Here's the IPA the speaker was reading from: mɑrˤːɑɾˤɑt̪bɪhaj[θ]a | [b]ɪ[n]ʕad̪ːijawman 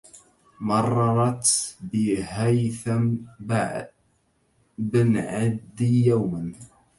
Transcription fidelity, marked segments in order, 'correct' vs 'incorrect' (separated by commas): correct, correct, correct